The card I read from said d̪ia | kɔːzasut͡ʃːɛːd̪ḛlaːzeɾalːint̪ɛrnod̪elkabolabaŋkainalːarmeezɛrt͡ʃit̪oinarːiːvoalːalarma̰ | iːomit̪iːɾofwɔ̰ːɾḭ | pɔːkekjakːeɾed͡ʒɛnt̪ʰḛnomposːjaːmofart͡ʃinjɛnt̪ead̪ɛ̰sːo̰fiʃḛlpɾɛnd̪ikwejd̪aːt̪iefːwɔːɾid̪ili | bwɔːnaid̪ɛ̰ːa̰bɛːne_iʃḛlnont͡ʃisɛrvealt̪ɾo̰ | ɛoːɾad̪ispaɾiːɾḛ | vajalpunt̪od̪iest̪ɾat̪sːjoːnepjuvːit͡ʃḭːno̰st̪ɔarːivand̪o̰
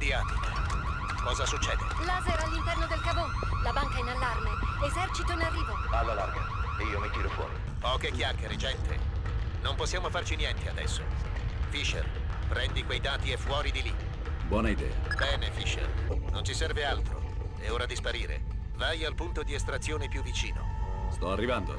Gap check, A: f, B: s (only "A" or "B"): A